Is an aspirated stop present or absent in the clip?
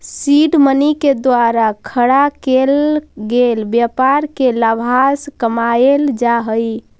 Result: present